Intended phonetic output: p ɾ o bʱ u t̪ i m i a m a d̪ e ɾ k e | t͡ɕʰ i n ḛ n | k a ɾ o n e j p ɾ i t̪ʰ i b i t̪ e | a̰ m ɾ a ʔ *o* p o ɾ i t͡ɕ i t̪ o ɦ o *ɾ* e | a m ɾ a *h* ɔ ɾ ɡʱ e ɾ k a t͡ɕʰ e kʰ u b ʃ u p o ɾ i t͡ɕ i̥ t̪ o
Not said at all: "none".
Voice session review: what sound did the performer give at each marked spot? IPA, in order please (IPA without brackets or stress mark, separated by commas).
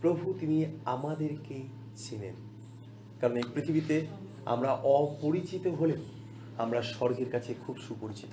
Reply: ɔ, l, ʃ